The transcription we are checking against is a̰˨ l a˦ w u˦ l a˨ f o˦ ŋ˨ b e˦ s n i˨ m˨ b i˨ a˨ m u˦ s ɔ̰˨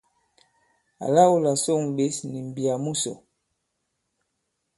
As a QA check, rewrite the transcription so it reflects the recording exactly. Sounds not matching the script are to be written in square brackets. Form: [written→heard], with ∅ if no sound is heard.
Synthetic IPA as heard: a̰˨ l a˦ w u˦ l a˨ [f→s] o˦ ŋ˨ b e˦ s n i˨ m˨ b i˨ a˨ m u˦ s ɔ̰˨